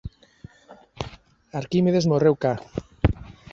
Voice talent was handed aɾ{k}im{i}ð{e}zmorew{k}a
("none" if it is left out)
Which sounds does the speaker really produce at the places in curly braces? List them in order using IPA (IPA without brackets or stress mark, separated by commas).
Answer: k, e, e, k